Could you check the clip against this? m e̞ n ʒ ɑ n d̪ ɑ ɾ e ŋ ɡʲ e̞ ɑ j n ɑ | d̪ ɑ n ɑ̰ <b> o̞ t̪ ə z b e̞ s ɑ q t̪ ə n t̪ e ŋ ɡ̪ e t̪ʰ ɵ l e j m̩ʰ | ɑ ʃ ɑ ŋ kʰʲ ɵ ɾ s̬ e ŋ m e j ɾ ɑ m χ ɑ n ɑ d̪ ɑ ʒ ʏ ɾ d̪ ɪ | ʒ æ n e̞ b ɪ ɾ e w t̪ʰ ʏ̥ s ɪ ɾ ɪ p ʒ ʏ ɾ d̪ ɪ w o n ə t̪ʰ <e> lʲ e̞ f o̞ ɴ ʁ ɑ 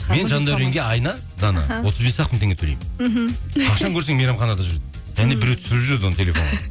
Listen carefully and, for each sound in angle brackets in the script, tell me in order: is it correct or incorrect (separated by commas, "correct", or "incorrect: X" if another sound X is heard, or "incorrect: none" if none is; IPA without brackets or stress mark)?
incorrect: w, correct